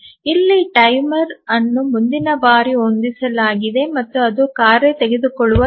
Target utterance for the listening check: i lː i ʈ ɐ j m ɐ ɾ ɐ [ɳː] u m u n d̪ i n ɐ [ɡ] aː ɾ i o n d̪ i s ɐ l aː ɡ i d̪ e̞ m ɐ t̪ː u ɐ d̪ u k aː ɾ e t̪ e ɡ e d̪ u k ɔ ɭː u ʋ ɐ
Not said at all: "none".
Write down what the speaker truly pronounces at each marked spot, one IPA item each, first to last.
nː, b

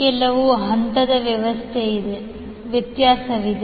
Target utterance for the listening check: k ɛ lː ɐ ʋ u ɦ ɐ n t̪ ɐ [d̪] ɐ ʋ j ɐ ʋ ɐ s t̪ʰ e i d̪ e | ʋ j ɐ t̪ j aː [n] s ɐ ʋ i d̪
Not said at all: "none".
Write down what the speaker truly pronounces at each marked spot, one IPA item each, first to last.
d̪, none

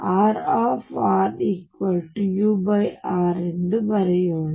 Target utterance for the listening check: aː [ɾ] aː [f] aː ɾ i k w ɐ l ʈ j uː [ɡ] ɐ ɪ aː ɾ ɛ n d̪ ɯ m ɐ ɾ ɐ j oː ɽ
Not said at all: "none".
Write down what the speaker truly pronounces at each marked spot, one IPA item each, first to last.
ɾ, f, b

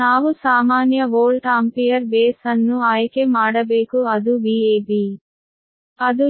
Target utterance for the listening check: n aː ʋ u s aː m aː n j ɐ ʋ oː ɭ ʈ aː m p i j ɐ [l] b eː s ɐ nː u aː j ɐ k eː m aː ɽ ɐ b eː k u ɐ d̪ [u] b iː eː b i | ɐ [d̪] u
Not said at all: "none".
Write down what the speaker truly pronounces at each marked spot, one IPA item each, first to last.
ɾ, u, d̪

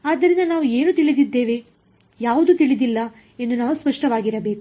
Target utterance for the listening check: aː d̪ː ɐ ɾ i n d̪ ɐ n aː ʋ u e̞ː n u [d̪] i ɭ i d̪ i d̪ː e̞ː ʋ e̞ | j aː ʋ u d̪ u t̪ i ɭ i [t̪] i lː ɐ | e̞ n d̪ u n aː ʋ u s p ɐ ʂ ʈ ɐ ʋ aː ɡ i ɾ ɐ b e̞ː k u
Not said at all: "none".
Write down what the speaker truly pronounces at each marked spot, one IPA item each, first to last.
t̪, d̪

